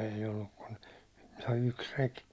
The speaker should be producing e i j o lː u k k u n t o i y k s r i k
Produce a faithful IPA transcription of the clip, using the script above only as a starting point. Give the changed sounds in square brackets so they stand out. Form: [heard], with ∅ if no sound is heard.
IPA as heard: e i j o lː u k k u n t o i y k s r [e] k